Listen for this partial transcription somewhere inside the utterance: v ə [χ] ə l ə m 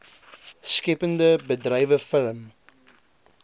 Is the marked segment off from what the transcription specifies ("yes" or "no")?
yes